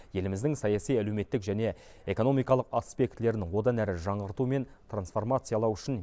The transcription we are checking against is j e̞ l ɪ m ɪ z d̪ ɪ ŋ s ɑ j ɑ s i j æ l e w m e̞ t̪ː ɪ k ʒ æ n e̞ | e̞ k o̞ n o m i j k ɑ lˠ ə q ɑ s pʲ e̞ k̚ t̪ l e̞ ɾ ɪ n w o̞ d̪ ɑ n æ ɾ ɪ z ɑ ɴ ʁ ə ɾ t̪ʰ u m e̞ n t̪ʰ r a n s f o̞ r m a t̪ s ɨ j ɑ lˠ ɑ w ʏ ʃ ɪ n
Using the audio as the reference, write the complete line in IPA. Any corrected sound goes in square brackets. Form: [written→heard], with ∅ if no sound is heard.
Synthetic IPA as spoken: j e̞ l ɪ m ɪ z d̪ ɪ ŋ s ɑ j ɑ s i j æ l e w m e̞ t̪ː ɪ k ʒ æ n e̞ | e̞ k o̞ n o m i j k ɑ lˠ ə q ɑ s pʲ e̞ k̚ t̪ l e̞ ɾ ɪ n w o̞ d̪ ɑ n æ ɾ ɪ [z→ʒ] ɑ ɴ ʁ ə ɾ [t̪ʰ→t̪] u m e̞ n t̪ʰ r a n s f o̞ r m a t̪ s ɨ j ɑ lˠ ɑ w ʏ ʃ ɪ n

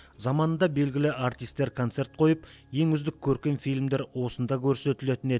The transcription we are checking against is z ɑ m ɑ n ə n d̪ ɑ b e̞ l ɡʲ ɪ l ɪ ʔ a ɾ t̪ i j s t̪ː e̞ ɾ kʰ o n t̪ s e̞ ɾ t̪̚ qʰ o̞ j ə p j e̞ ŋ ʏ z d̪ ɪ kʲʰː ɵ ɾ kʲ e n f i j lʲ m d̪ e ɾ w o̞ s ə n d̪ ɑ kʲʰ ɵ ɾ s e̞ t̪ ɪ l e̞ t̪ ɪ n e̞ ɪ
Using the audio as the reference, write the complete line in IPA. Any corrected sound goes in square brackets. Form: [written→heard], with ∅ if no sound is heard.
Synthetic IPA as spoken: z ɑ m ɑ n ə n d̪ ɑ b e̞ l ɡʲ ɪ l ɪ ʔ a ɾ t̪ i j s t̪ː e̞ ɾ kʰ o n t̪ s e̞ ɾ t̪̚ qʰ o̞ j ə p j e̞ ŋ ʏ z d̪ ɪ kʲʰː ɵ ɾ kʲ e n f i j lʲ m d̪ e ɾ w o̞ s ə n d̪ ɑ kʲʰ ɵ ɾ s e̞ t̪ ɪ l e̞ t̪ ɪ n e̞ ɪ

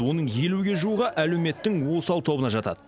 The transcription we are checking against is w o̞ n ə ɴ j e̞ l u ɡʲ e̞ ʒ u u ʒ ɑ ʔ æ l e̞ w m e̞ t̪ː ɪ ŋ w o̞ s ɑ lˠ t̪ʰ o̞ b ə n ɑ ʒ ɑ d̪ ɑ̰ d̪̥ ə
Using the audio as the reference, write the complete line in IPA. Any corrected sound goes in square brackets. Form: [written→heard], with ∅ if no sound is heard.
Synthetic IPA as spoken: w o̞ n ə ɴ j e̞ l u ɡʲ e̞ ʒ u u [ʒ→ʁ] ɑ ʔ æ l e̞ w m e̞ t̪ː ɪ ŋ w o̞ s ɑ lˠ t̪ʰ o̞ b ə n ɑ ʒ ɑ [d̪→t̪] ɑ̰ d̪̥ ə

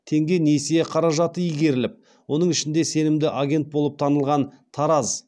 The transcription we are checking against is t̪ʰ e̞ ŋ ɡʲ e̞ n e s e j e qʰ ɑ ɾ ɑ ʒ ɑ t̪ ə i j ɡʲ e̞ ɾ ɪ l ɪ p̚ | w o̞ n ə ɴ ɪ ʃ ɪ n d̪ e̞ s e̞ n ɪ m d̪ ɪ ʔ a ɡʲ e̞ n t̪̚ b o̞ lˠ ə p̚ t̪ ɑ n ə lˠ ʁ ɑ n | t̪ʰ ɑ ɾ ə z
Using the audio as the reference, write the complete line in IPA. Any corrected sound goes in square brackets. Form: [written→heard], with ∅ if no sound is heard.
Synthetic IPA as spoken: t̪ʰ e̞ ŋ ɡʲ e̞ n e s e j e qʰ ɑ ɾ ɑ ʒ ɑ t̪ ə i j ɡʲ e̞ ɾ ɪ l ɪ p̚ | w o̞ n ə ɴ ɪ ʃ ɪ n d̪ e̞ s e̞ n ɪ m d̪ ɪ ʔ a ɡʲ e̞ n t̪̚ b o̞ lˠ ə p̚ [t̪→t̪ʰ] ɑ n ə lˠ ʁ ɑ n | t̪ʰ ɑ ɾ [ə→ɑ] z

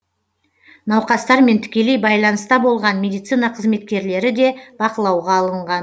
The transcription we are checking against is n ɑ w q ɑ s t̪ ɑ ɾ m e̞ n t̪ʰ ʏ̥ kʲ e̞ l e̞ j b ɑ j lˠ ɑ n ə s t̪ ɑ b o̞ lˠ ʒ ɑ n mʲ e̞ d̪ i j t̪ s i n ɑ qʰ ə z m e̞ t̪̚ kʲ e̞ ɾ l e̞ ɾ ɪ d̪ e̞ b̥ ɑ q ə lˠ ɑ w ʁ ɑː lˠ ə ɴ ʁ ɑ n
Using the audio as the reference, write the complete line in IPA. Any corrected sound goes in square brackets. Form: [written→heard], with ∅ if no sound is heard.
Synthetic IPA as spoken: n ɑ w q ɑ s t̪ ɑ ɾ m e̞ n t̪ʰ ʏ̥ kʲ e̞ l e̞ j b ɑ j lˠ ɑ n ə s t̪ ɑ b o̞ lˠ [ʒ→ʁ] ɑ n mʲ e̞ d̪ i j t̪ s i n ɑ qʰ ə z m e̞ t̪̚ kʲ e̞ ɾ l e̞ ɾ ɪ d̪ e̞ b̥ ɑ q ə lˠ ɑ w ʁ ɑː lˠ ə ɴ ʁ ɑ n

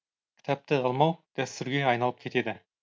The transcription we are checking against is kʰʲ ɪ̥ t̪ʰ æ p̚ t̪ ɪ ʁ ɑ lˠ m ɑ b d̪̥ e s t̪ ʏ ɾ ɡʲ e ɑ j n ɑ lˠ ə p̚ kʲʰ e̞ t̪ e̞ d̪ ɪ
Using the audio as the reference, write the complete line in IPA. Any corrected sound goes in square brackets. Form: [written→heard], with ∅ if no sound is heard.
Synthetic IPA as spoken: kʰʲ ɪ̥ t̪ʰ æ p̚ t̪ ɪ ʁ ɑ lˠ m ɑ [b→w] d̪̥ [e→æ] s t̪ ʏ ɾ ɡʲ e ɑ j n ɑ lˠ ə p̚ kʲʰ e̞ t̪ e̞ d̪ ɪ

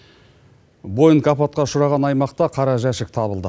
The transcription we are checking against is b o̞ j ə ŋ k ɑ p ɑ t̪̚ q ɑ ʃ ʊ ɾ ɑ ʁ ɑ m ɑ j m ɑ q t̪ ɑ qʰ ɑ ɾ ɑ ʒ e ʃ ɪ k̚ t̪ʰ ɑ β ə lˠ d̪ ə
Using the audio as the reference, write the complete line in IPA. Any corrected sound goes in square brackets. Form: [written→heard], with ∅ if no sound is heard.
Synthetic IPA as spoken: b o̞ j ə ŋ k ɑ p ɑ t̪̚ q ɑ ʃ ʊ ɾ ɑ ʁ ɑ [m→n] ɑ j m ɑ q t̪ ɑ qʰ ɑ ɾ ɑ ʒ [e→æ] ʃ ɪ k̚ t̪ʰ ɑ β ə lˠ d̪ ə

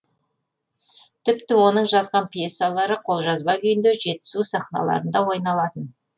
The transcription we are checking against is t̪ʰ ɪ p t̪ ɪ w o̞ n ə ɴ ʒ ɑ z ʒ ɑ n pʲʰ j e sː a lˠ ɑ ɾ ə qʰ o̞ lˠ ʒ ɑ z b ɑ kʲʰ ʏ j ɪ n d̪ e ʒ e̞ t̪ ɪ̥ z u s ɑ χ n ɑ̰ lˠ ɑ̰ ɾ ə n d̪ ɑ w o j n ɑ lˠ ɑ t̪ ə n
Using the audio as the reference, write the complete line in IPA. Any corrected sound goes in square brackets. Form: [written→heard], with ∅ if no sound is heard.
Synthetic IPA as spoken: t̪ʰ ɪ p t̪ ɪ w o̞ n ə ɴ ʒ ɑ z [ʒ→ʁ] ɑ n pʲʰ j e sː a lˠ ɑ ɾ ə qʰ o̞ lˠ ʒ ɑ z b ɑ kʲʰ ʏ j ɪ n d̪ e ʒ e̞ t̪ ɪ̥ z u s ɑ χ n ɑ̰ lˠ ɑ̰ ɾ ə n d̪ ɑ w o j n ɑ lˠ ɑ t̪ ə n

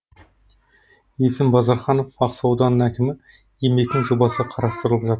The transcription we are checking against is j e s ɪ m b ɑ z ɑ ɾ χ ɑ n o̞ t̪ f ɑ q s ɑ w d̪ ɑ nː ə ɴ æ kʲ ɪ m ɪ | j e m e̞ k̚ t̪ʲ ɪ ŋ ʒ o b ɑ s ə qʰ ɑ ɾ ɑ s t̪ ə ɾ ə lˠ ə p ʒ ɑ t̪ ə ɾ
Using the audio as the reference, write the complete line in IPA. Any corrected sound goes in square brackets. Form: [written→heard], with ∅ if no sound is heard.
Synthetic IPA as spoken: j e s ɪ m b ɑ z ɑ ɾ χ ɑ n o̞ [t̪→∅] f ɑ q s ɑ w d̪ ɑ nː ə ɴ æ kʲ ɪ m ɪ | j e m e̞ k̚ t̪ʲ ɪ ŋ ʒ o b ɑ s ə qʰ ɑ ɾ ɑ s t̪ ə ɾ ə lˠ ə p ʒ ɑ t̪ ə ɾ

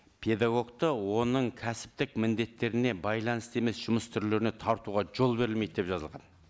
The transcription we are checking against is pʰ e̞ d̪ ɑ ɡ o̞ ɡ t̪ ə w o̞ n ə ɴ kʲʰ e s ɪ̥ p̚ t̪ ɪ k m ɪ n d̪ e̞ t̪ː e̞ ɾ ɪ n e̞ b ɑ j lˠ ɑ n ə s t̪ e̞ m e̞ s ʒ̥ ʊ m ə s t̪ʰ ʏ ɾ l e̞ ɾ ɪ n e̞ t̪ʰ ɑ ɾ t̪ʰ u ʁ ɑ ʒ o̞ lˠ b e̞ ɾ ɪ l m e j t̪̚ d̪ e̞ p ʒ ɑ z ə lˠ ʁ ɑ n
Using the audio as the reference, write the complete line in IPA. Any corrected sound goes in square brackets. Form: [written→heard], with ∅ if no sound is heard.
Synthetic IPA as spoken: pʰ e̞ d̪ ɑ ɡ o̞ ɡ t̪ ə w o̞ n ə ɴ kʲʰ [e→æ] s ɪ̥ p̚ t̪ ɪ k m ɪ n d̪ e̞ t̪ː e̞ ɾ ɪ n e̞ b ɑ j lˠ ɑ n ə s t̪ e̞ m e̞ s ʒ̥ ʊ m ə s t̪ʰ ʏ ɾ l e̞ ɾ ɪ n e̞ t̪ʰ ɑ ɾ [t̪ʰ→t̪] u ʁ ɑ ʒ o̞ lˠ b e̞ ɾ ɪ l m e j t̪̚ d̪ e̞ p ʒ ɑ z ə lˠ ʁ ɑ n

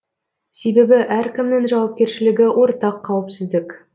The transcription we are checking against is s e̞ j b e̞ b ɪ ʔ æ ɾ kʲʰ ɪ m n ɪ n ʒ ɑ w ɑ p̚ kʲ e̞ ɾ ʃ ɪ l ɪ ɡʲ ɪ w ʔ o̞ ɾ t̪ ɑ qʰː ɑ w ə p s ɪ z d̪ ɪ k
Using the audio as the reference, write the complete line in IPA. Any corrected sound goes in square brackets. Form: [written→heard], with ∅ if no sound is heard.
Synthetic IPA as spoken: s e̞ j b e̞ b ɪ ʔ æ ɾ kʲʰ ɪ m n ɪ [n→ŋ] ʒ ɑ w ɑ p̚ kʲ e̞ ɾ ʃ ɪ l ɪ ɡʲ ɪ w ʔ o̞ ɾ t̪ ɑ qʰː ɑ w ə p s ɪ z d̪ ɪ k

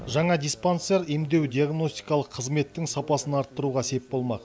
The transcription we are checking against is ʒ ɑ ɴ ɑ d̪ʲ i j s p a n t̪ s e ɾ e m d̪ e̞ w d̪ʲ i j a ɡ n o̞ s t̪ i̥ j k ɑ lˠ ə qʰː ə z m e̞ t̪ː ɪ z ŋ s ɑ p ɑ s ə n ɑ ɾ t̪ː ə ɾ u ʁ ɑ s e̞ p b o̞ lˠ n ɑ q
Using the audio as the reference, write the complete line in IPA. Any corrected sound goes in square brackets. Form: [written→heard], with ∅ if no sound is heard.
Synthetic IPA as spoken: ʒ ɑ ɴ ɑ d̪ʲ i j s p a n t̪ s e ɾ e m d̪ e̞ w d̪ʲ i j a ɡ n o̞ s t̪ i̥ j k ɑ lˠ ə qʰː ə z m e̞ t̪ː ɪ [z→∅] ŋ s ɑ p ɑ s ə n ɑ ɾ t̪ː ə ɾ u ʁ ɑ s e̞ p b o̞ lˠ [n→m] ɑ q

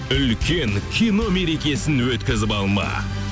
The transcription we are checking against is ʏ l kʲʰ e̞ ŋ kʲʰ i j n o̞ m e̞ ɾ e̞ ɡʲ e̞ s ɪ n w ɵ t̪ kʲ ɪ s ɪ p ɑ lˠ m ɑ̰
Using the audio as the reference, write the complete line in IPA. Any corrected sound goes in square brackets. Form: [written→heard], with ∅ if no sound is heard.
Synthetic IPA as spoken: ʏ l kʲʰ e̞ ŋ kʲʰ i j n o̞ m e̞ ɾ e̞ [ɡʲ→kʲ] e̞ s ɪ n w ɵ t̪ kʲ ɪ [s→z] ɪ p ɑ lˠ m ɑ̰

